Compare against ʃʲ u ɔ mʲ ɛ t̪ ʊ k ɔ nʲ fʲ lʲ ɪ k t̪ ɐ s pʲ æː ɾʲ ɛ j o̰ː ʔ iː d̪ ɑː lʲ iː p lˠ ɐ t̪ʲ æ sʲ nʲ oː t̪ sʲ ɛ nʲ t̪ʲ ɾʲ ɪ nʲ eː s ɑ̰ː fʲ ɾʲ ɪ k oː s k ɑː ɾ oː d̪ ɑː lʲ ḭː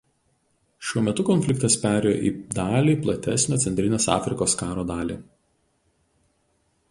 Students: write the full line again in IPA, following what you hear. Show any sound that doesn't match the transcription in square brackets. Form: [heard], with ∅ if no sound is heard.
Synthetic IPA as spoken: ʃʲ u ɔ mʲ ɛ t̪ ʊ k ɔ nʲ fʲ lʲ ɪ k t̪ ɐ s pʲ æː ɾʲ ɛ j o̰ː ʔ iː d̪ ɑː lʲ iː p lˠ ɐ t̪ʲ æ sʲ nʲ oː t̪ sʲ ɛ nʲ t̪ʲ ɾʲ ɪ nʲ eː s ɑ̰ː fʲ ɾʲ ɪ k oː s k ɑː ɾ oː d̪ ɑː lʲ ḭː